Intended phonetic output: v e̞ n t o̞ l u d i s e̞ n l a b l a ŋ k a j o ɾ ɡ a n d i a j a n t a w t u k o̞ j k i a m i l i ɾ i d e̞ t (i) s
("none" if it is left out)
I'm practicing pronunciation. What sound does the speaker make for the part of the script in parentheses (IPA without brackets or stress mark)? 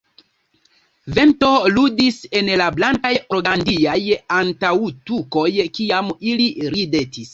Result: i